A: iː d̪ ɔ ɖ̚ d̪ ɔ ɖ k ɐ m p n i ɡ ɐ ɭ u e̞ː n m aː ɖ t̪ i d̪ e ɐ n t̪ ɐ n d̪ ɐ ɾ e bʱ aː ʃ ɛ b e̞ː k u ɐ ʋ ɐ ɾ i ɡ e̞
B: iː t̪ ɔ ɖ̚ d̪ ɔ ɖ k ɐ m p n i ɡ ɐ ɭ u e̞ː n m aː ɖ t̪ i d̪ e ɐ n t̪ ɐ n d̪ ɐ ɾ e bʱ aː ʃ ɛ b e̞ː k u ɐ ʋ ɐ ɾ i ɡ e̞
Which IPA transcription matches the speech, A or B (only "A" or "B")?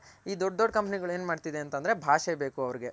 A